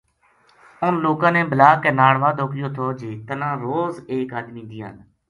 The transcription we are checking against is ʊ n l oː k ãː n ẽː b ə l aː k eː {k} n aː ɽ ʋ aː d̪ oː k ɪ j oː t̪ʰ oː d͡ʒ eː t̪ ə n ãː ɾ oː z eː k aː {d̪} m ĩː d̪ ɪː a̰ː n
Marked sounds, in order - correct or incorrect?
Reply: incorrect: none, correct

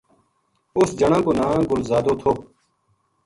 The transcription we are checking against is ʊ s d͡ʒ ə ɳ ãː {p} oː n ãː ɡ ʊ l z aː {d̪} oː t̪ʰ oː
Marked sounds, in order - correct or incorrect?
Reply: incorrect: k, correct

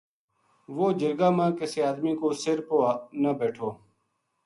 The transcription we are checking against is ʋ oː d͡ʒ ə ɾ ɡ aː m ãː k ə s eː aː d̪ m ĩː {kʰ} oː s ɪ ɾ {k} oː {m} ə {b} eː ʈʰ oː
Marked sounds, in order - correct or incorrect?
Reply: incorrect: k, incorrect: p, incorrect: n, correct

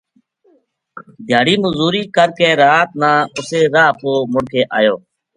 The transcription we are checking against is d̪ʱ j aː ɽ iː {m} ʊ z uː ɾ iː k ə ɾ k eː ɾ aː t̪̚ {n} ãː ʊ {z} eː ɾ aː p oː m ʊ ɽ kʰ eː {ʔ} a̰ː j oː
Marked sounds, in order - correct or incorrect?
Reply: correct, correct, incorrect: s, correct

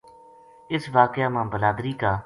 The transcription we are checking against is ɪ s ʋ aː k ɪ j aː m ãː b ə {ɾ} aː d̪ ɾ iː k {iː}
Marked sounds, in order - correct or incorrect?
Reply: incorrect: l, incorrect: aː

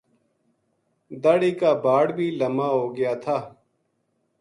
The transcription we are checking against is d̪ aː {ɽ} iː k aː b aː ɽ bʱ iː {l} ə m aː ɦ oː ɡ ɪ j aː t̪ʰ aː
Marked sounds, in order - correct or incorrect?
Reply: correct, correct

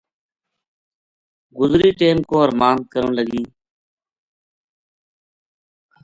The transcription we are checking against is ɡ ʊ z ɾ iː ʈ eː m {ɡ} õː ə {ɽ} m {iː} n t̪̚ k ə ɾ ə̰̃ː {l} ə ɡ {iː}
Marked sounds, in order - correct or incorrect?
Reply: incorrect: k, incorrect: ɾ, incorrect: aː, correct, correct

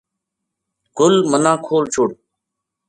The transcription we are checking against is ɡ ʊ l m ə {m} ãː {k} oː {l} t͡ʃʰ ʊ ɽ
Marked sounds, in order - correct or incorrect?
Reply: incorrect: n, incorrect: kʰ, correct

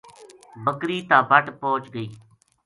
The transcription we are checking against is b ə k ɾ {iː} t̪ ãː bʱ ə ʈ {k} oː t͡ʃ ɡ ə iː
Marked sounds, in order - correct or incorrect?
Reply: correct, incorrect: p

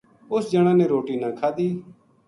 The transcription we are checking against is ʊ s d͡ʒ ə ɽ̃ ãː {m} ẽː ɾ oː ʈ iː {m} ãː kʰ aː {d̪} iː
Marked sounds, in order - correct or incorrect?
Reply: incorrect: n, incorrect: n, correct

